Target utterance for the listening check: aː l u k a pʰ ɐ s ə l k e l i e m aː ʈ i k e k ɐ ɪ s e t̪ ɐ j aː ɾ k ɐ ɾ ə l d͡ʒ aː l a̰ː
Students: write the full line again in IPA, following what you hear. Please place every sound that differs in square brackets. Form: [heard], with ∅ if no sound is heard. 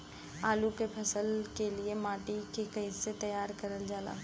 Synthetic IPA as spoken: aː l u k [e] pʰ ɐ s ə l k e l i e m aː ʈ i k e k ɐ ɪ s e t̪ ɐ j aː ɾ k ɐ ɾ ə l d͡ʒ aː l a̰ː